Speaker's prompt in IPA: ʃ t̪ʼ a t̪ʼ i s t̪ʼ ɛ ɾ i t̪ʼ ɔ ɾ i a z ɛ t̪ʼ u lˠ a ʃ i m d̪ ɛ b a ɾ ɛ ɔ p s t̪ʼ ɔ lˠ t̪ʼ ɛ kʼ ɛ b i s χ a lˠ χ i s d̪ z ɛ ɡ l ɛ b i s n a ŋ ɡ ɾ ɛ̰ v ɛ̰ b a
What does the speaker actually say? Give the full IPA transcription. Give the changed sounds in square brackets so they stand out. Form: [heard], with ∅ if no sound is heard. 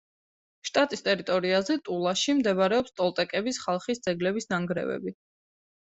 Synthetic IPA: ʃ t̪ʼ a t̪ʼ i s t̪ʼ ɛ ɾ i t̪ʼ ɔ ɾ i a z ɛ t̪ʼ u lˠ a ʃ i m d̪ ɛ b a ɾ ɛ ɔ p s t̪ʼ ɔ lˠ t̪ʼ ɛ kʼ ɛ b i s χ a lˠ χ i s d̪ z ɛ ɡ l ɛ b i s n a ŋ ɡ ɾ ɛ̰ v ɛ̰ b [i]